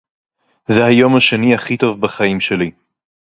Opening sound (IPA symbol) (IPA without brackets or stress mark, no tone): z